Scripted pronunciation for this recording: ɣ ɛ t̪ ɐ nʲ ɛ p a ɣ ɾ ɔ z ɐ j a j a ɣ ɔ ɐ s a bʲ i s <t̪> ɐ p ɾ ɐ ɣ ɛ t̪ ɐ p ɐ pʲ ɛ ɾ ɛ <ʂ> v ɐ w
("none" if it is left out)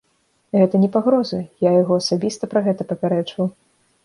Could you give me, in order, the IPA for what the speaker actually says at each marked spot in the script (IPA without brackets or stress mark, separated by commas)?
t̪, t͡ʂ